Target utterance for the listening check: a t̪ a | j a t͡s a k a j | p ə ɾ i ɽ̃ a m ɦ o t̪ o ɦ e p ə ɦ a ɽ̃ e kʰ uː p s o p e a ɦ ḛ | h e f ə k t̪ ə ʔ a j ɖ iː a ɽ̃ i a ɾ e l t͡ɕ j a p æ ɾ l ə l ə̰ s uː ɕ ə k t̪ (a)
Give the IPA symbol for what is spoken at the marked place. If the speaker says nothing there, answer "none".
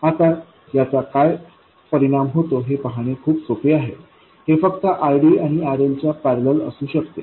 e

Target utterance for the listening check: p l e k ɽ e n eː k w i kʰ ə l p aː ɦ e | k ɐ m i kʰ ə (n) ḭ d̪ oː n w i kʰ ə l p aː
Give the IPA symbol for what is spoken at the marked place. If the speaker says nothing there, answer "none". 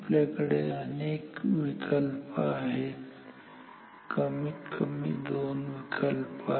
m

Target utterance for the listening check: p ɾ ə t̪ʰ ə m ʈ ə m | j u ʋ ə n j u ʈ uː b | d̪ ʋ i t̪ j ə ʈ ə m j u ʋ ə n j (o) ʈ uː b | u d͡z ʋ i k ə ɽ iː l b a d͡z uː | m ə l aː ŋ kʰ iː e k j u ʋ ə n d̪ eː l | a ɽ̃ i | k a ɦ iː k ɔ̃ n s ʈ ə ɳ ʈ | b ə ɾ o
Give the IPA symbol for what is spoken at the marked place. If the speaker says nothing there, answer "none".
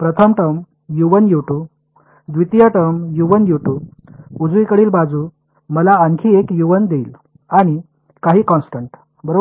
u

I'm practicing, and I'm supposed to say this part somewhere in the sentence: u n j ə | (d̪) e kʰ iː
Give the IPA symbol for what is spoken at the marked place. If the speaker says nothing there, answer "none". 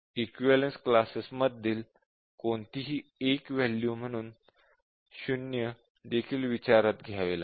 d̪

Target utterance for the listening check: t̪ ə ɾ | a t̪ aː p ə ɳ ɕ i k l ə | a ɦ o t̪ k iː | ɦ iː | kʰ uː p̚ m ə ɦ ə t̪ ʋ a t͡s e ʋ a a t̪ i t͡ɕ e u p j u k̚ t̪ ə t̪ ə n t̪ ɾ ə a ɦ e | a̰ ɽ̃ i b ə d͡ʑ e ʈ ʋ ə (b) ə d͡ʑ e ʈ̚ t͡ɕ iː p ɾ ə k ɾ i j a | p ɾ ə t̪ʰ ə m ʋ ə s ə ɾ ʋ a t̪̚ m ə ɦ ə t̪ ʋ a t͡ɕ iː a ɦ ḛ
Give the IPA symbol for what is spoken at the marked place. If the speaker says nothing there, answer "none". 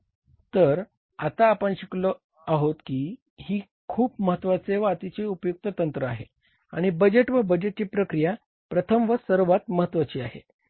b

